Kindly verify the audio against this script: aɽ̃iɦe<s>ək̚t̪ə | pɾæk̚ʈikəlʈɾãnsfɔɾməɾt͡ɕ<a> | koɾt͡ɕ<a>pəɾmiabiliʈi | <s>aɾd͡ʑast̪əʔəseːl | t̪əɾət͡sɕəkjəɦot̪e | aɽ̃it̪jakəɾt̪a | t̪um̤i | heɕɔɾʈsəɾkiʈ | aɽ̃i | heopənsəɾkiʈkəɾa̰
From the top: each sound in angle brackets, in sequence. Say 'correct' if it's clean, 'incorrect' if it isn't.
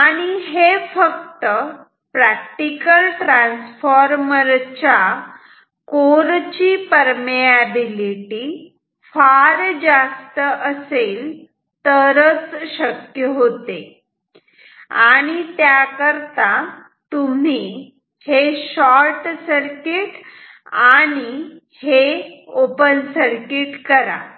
incorrect: f, correct, incorrect: i, incorrect: f

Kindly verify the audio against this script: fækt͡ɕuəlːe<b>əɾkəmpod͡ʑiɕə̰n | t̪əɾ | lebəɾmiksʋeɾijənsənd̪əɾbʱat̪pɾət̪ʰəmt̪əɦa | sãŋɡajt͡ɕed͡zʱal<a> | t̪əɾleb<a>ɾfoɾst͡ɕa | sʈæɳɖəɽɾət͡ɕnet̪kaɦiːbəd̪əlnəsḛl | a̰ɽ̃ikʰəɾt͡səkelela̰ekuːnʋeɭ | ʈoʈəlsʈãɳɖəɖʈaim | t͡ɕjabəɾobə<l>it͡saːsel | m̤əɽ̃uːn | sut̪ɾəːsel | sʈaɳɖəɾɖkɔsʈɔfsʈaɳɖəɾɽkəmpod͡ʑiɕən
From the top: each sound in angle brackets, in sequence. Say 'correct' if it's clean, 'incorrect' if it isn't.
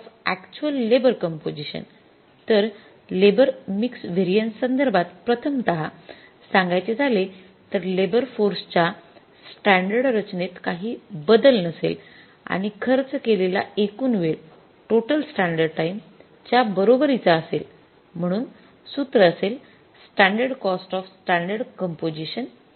correct, incorrect: e, incorrect: ə, incorrect: ɾ

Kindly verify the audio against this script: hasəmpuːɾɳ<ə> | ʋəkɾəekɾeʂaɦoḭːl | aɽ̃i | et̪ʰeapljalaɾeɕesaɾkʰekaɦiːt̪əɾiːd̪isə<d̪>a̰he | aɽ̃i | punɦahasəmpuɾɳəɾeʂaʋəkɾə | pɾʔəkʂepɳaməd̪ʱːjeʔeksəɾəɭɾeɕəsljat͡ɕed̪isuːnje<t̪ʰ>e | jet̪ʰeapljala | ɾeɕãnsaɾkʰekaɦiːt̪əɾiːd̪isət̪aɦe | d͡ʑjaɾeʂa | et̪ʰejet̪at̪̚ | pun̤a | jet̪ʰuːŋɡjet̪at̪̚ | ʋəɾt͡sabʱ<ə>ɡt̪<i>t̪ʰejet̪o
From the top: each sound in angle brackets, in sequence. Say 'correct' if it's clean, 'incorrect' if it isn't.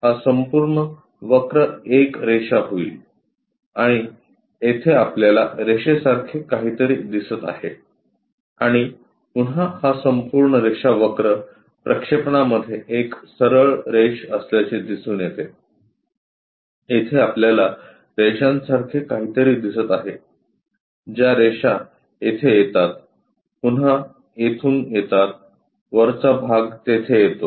correct, incorrect: t̪, incorrect: t̪, incorrect: a, incorrect: e

